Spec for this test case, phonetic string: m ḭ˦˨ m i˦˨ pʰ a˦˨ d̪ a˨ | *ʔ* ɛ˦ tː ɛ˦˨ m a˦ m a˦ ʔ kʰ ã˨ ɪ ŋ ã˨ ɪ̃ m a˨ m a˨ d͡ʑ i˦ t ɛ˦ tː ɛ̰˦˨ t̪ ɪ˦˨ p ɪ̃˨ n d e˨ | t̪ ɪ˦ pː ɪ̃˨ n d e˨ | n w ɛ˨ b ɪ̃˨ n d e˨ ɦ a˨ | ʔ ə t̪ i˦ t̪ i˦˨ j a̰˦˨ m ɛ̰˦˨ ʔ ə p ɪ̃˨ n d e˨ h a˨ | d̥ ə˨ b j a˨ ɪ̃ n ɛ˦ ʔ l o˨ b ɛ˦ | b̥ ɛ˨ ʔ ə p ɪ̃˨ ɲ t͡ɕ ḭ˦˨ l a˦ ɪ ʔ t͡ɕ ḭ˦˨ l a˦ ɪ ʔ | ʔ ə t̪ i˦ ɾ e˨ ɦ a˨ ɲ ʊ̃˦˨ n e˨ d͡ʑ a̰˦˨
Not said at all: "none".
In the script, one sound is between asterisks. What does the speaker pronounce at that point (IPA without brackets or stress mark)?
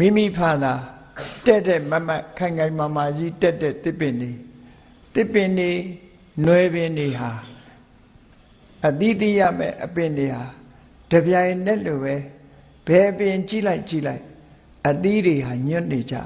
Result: t